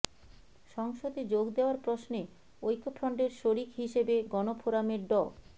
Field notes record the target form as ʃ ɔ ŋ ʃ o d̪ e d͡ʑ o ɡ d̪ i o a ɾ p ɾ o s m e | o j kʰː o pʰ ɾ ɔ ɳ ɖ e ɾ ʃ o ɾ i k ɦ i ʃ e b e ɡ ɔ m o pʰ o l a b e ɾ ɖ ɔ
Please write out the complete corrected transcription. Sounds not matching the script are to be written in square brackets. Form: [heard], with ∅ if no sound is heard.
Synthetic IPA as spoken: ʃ ɔ ŋ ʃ o d̪ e d͡ʑ o ɡ d̪ [e] o a ɾ p ɾ o s [n] e | o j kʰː o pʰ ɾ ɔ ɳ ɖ e ɾ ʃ o ɾ i k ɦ i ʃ e b e ɡ ɔ [n] o pʰ o [ɾ] a [m] e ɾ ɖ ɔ

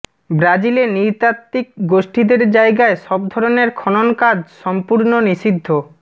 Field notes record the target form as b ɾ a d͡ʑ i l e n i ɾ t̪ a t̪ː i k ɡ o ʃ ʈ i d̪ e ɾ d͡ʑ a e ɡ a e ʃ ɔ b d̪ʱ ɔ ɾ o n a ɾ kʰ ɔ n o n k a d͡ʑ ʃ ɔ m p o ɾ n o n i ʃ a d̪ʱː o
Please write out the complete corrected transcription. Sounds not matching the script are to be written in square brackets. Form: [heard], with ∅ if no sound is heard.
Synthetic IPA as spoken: b ɾ a d͡ʑ i l e n i ɾ t̪ a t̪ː i k ɡ o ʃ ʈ i d̪ e ɾ d͡ʑ a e ɡ a e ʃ ɔ b d̪ʱ ɔ ɾ o n [e] ɾ kʰ ɔ n o n k a d͡ʑ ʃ ɔ m p [u] ɾ n o n i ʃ [i] d̪ʱː o

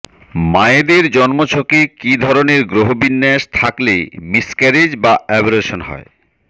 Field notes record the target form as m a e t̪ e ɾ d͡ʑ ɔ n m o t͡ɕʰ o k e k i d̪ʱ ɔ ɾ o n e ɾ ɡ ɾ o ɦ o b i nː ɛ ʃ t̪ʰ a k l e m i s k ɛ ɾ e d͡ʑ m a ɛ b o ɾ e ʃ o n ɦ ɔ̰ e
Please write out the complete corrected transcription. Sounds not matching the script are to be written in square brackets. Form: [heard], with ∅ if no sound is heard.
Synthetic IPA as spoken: m a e [d̪] e ɾ d͡ʑ ɔ n m o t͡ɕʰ o k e k i d̪ʱ ɔ ɾ o n e ɾ ɡ ɾ o ɦ o b i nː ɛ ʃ t̪ʰ a k l e m i s k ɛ ɾ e d͡ʑ [b] a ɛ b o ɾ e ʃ o n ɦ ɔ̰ e

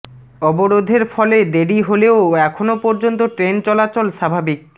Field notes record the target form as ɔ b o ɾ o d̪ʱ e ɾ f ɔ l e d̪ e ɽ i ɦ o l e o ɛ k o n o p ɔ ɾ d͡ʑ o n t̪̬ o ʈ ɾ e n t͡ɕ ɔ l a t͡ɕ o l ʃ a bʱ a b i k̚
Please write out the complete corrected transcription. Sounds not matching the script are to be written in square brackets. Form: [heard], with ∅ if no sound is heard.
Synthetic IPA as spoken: ɔ b o ɾ o d̪ʱ e ɾ f ɔ l e d̪ e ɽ i ɦ o l e o ɛ [kʰ] o n o p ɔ ɾ d͡ʑ o n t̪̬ o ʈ ɾ e n t͡ɕ ɔ l a t͡ɕ o l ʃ a bʱ a b i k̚

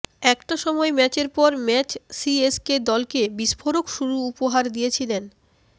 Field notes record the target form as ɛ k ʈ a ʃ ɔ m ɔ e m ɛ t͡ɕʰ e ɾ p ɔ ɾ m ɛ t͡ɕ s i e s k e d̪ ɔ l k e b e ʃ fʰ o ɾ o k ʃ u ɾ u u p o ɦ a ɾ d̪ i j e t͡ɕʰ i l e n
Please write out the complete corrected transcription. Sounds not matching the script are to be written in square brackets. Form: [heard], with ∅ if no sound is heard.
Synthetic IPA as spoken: ɛ k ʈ a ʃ ɔ m ɔ e m ɛ [t͡ɕ] e ɾ p ɔ ɾ m ɛ t͡ɕ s i e s k e d̪ ɔ l k e b [i] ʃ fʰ o ɾ o k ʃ u ɾ u u p o ɦ a ɾ d̪ i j e t͡ɕʰ i l e n

